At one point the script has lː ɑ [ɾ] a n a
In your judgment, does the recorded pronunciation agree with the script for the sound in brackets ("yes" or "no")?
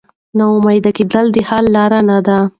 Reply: yes